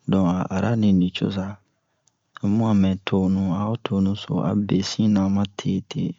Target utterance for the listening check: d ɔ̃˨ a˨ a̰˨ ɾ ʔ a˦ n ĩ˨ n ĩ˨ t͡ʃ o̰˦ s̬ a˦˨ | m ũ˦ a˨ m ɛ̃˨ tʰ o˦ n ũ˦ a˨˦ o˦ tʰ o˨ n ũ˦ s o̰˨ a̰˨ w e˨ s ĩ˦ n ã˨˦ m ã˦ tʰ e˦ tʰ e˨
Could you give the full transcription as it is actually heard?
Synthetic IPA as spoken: d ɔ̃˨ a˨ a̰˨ ɾ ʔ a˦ n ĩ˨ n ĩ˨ t͡ʃ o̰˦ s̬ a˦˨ | m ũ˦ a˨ m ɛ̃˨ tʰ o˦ n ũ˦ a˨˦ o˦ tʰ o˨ n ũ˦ s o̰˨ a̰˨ b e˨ s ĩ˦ n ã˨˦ m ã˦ tʰ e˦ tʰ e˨

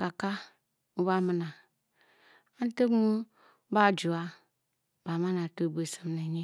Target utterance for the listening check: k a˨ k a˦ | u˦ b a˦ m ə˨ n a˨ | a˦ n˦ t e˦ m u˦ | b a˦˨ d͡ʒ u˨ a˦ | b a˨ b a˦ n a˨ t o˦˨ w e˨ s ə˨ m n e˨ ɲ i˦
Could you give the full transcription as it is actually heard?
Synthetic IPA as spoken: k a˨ k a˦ | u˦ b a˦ m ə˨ n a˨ | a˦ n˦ t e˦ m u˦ | b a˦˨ d͡ʒ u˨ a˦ | b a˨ m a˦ n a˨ t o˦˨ b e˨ s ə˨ m n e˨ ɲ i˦

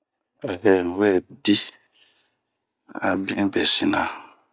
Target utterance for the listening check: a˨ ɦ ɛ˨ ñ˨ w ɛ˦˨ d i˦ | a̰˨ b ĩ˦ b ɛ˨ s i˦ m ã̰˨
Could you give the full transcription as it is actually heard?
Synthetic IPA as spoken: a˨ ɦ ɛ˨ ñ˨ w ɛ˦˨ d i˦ | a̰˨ b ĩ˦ b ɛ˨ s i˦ n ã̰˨

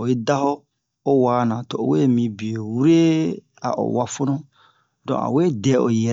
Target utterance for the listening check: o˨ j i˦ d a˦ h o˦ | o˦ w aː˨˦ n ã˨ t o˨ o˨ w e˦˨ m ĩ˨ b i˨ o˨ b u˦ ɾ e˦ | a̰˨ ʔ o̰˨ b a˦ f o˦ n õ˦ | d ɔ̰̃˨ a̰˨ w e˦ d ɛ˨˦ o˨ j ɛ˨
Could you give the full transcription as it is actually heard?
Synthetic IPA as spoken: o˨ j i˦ d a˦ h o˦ | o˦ w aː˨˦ n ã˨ t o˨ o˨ w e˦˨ m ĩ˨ b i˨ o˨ w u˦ ɾ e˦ | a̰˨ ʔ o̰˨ w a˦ f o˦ n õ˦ | d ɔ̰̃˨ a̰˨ w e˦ d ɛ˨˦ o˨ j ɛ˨

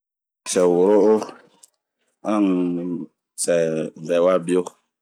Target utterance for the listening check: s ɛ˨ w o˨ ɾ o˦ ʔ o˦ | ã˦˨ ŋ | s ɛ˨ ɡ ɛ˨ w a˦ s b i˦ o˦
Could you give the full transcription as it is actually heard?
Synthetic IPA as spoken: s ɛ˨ w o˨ ɾ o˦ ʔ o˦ | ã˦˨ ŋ | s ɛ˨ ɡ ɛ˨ w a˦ b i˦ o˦

